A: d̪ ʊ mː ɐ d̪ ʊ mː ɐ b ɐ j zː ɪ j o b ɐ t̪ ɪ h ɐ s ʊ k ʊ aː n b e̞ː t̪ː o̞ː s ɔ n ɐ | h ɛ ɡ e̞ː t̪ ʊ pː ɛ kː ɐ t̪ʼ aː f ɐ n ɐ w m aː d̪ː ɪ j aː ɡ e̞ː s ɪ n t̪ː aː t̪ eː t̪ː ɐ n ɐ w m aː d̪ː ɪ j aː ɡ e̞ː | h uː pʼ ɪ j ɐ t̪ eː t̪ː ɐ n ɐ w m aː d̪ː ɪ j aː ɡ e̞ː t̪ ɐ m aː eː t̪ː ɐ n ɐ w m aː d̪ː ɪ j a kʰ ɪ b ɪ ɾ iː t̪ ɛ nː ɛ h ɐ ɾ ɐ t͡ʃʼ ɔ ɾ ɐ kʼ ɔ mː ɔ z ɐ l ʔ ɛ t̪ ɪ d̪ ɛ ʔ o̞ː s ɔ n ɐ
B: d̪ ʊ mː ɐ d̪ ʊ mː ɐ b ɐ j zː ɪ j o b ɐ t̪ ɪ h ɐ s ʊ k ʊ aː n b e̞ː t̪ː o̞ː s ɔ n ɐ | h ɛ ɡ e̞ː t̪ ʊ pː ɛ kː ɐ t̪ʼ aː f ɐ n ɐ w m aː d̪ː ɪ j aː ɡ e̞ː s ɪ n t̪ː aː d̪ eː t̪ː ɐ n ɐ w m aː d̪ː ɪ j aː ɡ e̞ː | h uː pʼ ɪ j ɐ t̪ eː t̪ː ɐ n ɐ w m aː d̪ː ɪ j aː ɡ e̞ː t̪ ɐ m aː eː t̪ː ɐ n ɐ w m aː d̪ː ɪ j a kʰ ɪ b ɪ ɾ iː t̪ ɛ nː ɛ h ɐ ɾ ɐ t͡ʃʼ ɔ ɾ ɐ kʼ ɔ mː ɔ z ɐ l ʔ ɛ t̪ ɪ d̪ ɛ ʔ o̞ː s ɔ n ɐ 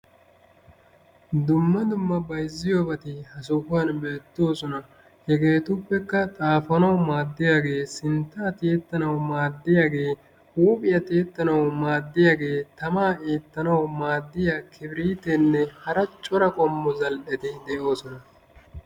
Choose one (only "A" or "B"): A